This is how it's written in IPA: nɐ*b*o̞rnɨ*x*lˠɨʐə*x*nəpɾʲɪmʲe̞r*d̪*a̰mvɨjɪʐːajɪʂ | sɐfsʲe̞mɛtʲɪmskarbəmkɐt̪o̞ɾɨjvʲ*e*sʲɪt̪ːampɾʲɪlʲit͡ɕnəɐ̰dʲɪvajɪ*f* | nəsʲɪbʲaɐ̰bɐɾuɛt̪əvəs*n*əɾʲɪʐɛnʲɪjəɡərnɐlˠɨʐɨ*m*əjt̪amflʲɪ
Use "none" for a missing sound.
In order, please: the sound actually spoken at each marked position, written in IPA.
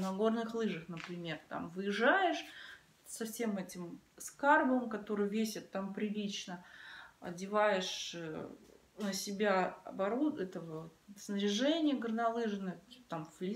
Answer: ɡ, x, x, t̪, e, ʂ, n, n

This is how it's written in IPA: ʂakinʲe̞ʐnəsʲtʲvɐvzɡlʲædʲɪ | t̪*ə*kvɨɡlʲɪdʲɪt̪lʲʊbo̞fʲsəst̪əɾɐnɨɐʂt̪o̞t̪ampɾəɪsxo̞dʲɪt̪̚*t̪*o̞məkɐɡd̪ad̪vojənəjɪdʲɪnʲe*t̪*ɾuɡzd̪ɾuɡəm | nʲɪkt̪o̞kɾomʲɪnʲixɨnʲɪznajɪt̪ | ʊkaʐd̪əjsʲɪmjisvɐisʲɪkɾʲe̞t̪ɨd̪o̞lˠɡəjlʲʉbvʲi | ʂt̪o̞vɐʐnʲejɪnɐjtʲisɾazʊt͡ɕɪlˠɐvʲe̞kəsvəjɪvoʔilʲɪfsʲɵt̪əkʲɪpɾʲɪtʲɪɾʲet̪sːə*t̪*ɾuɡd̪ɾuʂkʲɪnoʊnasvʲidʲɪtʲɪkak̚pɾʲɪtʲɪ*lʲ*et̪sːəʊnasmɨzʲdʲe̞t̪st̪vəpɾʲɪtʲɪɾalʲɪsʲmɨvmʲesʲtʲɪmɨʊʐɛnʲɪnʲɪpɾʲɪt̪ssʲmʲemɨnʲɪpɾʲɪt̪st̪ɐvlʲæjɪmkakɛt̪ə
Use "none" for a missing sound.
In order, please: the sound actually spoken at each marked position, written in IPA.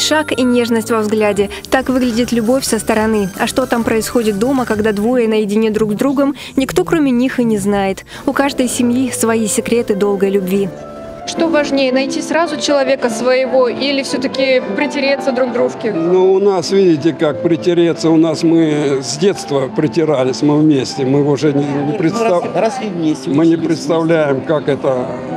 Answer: a, d̪, d̪, d̪, ɾʲ

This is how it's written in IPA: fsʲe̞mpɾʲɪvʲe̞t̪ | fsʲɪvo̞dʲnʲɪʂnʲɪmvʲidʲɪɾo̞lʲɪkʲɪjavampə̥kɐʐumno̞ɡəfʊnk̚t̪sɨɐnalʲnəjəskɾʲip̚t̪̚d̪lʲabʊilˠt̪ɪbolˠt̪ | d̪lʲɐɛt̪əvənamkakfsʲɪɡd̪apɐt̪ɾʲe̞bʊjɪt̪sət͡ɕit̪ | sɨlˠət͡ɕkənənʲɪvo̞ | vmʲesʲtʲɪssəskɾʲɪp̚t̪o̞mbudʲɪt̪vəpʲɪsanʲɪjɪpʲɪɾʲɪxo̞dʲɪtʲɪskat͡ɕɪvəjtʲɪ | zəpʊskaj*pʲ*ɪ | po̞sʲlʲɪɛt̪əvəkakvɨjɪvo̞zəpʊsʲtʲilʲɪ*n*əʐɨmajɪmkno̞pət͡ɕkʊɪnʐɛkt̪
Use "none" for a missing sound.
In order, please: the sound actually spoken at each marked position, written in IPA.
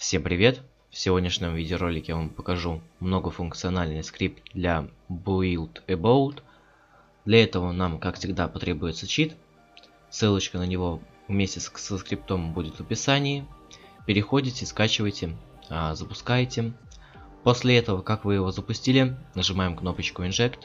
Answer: tʲ, n

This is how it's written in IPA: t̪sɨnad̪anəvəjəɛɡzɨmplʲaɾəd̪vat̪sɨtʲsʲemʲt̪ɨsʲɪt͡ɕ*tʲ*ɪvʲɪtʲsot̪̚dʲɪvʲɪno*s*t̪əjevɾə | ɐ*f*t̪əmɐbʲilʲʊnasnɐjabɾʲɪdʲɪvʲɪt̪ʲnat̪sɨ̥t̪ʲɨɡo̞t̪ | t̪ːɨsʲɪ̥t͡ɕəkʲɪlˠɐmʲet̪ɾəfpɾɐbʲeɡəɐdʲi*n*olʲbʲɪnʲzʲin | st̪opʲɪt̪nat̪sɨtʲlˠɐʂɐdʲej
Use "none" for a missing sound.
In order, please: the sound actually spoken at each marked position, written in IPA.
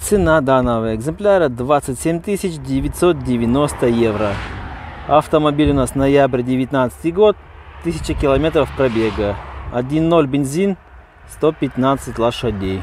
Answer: dʲ, s, f, nː

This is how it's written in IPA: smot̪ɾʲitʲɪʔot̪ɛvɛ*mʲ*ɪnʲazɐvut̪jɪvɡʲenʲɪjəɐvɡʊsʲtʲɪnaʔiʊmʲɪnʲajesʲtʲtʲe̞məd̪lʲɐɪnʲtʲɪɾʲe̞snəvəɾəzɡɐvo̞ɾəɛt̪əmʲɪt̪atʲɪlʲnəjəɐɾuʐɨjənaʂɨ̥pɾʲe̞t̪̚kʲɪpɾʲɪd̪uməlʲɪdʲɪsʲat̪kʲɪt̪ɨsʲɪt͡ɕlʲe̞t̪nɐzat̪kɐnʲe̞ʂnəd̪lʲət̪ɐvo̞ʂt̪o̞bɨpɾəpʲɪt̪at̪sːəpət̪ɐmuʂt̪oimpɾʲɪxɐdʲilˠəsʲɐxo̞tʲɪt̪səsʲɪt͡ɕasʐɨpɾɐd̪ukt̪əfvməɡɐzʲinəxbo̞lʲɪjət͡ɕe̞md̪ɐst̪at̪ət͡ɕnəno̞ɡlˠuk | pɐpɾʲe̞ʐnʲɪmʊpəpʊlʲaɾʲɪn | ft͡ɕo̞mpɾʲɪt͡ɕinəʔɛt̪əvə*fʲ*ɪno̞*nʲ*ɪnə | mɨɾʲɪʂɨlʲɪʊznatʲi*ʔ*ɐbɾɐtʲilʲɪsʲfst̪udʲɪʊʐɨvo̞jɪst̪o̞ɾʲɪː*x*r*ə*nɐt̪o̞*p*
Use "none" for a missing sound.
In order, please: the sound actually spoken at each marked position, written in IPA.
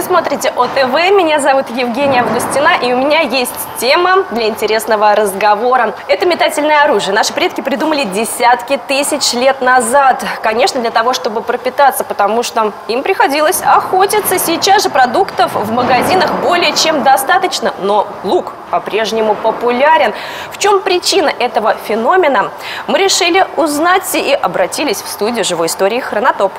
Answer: mʲ, fʲ, mʲ, ʔ, x, ə, p

